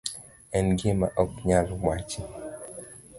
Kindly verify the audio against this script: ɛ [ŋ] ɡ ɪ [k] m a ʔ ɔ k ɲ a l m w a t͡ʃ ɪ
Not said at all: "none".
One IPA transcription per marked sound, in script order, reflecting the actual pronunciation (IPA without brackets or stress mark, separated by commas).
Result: n, none